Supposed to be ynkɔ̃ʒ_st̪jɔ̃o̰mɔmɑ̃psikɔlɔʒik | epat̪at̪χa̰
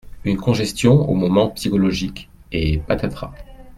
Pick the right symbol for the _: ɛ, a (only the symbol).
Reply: ɛ